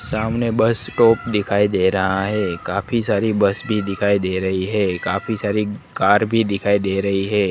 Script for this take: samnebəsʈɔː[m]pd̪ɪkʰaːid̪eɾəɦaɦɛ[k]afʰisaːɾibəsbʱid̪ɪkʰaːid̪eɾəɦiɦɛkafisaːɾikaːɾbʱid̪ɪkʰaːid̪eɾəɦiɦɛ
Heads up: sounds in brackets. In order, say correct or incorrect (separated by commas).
incorrect, correct